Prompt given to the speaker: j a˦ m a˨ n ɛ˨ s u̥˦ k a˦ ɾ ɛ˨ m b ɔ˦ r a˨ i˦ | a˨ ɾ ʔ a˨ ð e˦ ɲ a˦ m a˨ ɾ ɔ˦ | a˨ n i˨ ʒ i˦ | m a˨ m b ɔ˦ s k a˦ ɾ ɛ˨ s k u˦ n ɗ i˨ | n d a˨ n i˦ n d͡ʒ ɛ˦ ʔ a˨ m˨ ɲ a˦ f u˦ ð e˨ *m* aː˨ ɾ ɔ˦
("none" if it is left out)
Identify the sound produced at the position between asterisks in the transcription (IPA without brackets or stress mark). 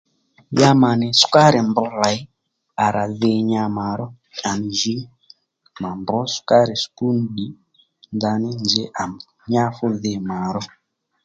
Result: m